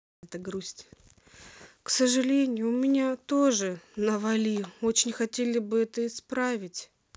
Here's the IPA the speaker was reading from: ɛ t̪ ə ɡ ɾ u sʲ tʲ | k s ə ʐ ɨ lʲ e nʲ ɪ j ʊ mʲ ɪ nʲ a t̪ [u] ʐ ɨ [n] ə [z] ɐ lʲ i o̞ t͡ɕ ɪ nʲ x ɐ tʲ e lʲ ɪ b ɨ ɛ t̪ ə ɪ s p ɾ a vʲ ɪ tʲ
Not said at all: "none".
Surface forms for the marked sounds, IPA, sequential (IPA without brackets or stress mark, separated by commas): o, n, v